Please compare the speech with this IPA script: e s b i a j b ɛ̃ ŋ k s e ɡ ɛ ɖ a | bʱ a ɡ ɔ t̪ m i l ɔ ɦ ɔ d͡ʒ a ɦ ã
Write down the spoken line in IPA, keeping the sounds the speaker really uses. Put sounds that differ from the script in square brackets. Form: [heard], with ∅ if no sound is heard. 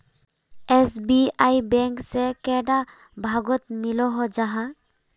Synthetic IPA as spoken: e s b i a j b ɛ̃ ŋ k s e [k] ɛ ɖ a | bʱ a ɡ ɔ t̪ m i l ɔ ɦ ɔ d͡ʒ a ɦ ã